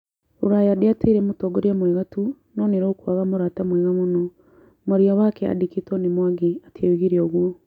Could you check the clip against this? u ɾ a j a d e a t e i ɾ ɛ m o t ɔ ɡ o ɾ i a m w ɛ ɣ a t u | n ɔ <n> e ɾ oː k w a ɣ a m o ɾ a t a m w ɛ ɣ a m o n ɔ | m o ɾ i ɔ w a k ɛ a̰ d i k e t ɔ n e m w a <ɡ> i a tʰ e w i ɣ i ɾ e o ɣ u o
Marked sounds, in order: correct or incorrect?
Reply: correct, correct

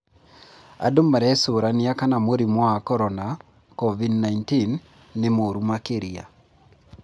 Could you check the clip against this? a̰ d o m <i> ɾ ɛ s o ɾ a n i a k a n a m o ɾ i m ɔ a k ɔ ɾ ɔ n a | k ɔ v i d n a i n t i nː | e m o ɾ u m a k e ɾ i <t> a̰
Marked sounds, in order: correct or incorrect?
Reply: incorrect: a, incorrect: none

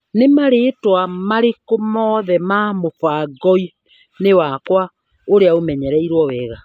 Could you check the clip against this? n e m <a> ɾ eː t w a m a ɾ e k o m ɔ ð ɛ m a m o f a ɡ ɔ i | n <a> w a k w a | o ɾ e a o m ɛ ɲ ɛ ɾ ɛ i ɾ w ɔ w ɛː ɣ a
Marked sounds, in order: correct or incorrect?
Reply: correct, incorrect: e

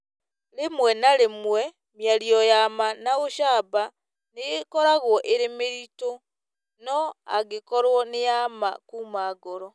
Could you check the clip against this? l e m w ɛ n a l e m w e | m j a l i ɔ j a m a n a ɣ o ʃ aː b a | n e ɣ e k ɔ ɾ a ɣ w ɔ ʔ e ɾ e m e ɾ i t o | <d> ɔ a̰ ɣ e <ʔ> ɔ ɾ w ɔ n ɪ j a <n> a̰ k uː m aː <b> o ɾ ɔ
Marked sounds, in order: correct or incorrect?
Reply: incorrect: n, incorrect: k, incorrect: m, incorrect: ɡ

